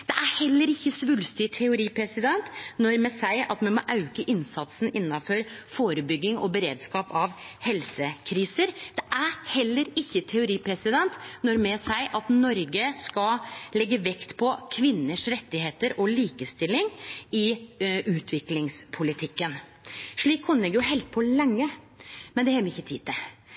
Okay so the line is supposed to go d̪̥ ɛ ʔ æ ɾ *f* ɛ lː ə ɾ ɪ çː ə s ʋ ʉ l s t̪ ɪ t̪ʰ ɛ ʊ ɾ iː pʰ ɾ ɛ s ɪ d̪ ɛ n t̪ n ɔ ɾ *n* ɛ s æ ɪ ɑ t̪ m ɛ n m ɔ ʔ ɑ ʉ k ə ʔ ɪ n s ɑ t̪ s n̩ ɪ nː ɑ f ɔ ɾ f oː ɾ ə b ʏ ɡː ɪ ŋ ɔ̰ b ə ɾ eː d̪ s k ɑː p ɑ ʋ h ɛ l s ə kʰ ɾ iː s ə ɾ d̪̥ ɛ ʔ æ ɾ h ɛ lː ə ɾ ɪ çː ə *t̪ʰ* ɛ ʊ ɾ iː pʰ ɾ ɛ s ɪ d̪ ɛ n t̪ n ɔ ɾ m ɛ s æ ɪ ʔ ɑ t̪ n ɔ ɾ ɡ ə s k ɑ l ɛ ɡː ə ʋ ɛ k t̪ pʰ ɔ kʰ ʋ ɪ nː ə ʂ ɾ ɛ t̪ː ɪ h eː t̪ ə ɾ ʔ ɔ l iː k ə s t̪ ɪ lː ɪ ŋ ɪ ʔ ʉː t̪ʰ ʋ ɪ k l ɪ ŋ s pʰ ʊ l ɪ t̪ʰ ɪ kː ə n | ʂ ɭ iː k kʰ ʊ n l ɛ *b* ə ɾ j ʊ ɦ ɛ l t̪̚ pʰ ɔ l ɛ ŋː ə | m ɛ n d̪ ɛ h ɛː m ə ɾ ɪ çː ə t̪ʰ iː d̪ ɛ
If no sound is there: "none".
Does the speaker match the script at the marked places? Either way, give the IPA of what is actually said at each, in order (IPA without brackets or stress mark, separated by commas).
h, m, t̪ʰ, ɡ